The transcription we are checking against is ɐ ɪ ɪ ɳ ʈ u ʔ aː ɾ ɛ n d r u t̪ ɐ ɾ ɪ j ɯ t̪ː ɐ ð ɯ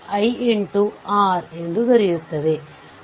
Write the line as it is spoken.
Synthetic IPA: ɐ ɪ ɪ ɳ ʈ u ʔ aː ɾ ɛ n d r ɯ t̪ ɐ ɾ ɪ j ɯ t̪ː ɐ ð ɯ